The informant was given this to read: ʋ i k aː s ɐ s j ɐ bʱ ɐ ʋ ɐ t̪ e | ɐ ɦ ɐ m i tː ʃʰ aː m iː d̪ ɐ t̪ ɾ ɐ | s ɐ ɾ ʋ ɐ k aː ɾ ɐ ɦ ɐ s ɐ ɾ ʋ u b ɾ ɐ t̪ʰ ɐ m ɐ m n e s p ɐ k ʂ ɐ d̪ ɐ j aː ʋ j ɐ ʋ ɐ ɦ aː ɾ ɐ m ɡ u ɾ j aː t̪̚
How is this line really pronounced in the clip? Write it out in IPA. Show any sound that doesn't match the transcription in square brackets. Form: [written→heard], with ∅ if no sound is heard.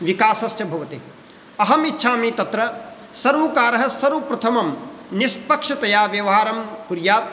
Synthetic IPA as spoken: ʋ i k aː s ɐ s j ɐ bʱ ɐ ʋ ɐ t̪ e | ɐ ɦ ɐ m i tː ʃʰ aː m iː [d̪→t̪] ɐ t̪ ɾ ɐ | s ɐ ɾ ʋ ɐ k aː ɾ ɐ ɦ ɐ s ɐ ɾ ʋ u [b→p] ɾ ɐ t̪ʰ ɐ m ɐ m n [e→i] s p ɐ k ʂ ɐ [d̪→t̪] ɐ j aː ʋ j ɐ ʋ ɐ ɦ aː ɾ ɐ m [ɡ→k] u ɾ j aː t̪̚

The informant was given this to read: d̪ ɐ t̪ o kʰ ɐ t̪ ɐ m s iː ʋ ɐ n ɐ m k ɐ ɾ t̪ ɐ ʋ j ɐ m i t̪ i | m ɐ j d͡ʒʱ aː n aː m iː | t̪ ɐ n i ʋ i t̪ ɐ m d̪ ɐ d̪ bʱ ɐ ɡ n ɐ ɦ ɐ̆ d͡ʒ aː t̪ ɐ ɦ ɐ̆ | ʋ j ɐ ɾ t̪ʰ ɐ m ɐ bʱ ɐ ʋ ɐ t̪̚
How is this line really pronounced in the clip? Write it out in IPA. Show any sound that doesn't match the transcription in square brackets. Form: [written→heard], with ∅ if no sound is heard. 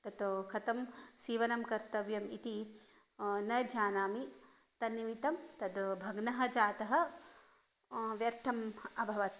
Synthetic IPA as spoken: [d̪→t̪] ɐ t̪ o kʰ ɐ t̪ ɐ m s iː ʋ ɐ n ɐ m k ɐ ɾ t̪ ɐ ʋ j ɐ m i t̪ i | [m→n] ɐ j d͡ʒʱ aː n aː m [iː→i] | t̪ ɐ n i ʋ i t̪ ɐ m [d̪→t̪] ɐ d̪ bʱ ɐ ɡ n ɐ ɦ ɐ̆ d͡ʒ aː t̪ ɐ ɦ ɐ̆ | ʋ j ɐ ɾ t̪ʰ ɐ m ɐ bʱ ɐ ʋ ɐ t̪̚

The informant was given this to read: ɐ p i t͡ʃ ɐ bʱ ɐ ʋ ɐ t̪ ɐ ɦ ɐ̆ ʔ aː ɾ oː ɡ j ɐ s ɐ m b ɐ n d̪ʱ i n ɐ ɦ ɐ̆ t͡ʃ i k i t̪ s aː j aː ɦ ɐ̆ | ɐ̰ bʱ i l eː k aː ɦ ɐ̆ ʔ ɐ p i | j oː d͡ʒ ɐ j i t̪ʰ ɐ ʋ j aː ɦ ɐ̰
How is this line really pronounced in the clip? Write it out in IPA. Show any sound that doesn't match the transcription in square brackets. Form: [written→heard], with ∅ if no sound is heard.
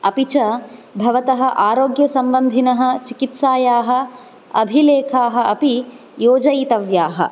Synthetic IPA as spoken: ɐ p i t͡ʃ ɐ bʱ ɐ ʋ ɐ t̪ ɐ ɦ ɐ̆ ʔ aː ɾ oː ɡ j ɐ s ɐ m b ɐ n d̪ʱ i n ɐ ɦ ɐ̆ t͡ʃ i k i t̪ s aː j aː ɦ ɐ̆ | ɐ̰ bʱ i l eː [k→kʰ] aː ɦ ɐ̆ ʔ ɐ p i | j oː d͡ʒ ɐ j i [t̪ʰ→t̪] ɐ ʋ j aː ɦ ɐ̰

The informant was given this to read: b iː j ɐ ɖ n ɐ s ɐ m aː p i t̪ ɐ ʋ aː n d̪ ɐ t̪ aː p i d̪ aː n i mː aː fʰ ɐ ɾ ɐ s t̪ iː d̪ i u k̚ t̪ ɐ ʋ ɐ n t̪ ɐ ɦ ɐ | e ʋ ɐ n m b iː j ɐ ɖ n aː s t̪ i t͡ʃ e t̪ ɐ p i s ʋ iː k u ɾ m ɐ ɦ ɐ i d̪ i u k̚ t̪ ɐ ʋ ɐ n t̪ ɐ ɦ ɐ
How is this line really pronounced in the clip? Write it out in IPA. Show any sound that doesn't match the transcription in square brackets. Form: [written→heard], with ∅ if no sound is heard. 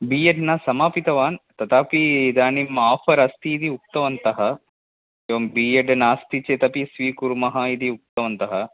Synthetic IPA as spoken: b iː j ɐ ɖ n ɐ s ɐ m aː p i t̪ ɐ ʋ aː n [d̪→t̪] ɐ t̪ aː p i d̪ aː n i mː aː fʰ ɐ ɾ ɐ s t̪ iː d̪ i u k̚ t̪ ɐ ʋ ɐ n t̪ ɐ ɦ ɐ | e ʋ ɐ [n→∅] m b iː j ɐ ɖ n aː s t̪ i t͡ʃ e t̪ ɐ p i s ʋ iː k u ɾ m ɐ ɦ ɐ i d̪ i u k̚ t̪ ɐ ʋ ɐ n t̪ ɐ ɦ ɐ

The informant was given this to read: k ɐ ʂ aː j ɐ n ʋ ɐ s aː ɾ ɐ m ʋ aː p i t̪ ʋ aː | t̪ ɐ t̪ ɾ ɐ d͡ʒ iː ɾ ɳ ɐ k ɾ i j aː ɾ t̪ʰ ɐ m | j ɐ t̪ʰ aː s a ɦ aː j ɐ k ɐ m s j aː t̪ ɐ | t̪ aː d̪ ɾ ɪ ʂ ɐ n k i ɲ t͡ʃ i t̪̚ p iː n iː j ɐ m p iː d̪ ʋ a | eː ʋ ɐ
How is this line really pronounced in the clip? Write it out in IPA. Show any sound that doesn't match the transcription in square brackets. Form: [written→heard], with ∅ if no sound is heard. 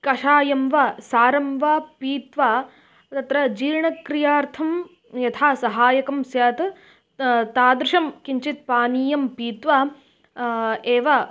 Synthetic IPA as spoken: k ɐ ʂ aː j ɐ [n→m] ʋ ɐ s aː ɾ ɐ m ʋ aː p [i→iː] t̪ ʋ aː | t̪ ɐ t̪ ɾ ɐ d͡ʒ iː ɾ ɳ ɐ k ɾ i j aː ɾ t̪ʰ ɐ m | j ɐ t̪ʰ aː s [a→ɐ] ɦ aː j ɐ k ɐ m s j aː t̪ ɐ | t̪ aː d̪ ɾ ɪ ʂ ɐ [n→m] k i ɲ t͡ʃ i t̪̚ p [iː→aː] n iː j ɐ m p iː [d̪→t̪] ʋ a | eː ʋ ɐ

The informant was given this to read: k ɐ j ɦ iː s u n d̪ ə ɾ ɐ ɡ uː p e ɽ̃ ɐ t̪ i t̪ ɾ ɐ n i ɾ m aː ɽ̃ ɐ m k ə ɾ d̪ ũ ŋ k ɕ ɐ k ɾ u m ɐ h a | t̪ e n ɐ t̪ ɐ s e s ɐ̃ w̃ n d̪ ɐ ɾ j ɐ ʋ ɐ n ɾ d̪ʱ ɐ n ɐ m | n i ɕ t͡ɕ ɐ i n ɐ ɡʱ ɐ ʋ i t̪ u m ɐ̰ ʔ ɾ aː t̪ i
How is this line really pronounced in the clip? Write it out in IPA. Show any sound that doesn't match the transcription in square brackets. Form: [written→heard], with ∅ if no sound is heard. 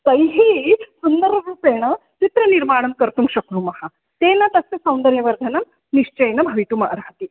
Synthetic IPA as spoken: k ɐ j ɦ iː s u n d̪ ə ɾ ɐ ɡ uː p e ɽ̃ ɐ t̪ i t̪ ɾ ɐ n i ɾ m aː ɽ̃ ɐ m k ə ɾ [d̪→t̪] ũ ŋ k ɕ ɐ k ɾ u m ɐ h a | t̪ e n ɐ t̪ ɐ s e s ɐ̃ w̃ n d̪ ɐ ɾ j ɐ ʋ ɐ [n→∅] ɾ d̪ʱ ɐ n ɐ m | n i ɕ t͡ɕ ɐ [i→j] n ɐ [ɡʱ→bʱ] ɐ ʋ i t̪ u m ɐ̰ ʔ ɾ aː t̪ i

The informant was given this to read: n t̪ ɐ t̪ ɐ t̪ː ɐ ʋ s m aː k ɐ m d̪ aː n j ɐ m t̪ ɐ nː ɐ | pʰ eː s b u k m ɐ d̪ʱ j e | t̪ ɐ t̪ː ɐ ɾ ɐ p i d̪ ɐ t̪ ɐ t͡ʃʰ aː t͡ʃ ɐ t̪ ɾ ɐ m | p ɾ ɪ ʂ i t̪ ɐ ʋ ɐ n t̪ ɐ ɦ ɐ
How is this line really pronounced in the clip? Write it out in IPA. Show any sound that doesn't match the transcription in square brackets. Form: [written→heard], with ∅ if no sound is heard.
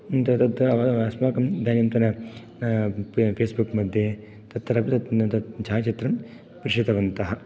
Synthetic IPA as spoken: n t̪ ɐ t̪ ɐ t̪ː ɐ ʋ s m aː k ɐ m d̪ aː n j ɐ m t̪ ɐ [nː→n] ɐ | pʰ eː s b u k m ɐ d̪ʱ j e | t̪ ɐ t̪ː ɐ ɾ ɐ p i [d̪→t̪] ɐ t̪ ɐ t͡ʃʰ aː t͡ʃ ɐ t̪ ɾ ɐ m | p ɾ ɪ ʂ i t̪ ɐ ʋ ɐ n t̪ ɐ ɦ ɐ

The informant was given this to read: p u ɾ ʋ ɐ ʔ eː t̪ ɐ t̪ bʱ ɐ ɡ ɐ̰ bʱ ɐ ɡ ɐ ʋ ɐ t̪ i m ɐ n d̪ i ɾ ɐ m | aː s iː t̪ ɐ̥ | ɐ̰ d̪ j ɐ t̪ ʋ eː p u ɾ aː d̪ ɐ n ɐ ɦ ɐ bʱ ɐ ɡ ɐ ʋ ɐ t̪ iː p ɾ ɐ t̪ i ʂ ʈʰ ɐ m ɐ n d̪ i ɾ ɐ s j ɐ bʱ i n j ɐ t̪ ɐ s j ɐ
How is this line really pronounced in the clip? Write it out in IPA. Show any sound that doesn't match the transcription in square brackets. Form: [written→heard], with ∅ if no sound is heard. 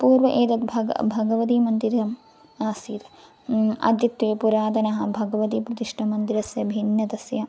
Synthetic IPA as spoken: p [u→uː] ɾ ʋ ɐ ʔ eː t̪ ɐ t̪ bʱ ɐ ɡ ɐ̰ bʱ ɐ ɡ ɐ ʋ ɐ t̪ i m ɐ n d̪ i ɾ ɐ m | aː s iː t̪ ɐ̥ | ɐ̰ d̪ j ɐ t̪ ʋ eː p u ɾ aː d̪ ɐ n ɐ ɦ ɐ bʱ ɐ ɡ ɐ ʋ ɐ t̪ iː p ɾ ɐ t̪ i ʂ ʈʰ ɐ m ɐ n d̪ i ɾ ɐ s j ɐ bʱ i n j ɐ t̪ ɐ s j ɐ

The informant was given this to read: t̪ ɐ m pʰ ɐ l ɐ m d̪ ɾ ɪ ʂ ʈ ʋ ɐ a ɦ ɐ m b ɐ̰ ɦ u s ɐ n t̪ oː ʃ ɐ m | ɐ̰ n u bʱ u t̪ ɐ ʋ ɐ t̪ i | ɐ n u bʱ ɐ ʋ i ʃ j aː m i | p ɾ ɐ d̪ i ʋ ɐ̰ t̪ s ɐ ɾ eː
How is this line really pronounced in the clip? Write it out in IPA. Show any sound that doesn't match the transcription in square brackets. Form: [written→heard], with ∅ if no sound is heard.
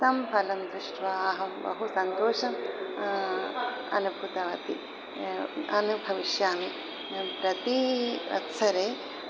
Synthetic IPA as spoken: t̪ ɐ m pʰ ɐ l ɐ m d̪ ɾ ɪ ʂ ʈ ʋ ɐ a ɦ ɐ m b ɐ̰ ɦ u s ɐ n t̪ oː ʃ ɐ m | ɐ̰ n u bʱ u t̪ ɐ ʋ ɐ t̪ i | ɐ n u bʱ ɐ ʋ i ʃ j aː m i | p ɾ ɐ [d̪→t̪] i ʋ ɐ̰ t̪ s ɐ ɾ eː

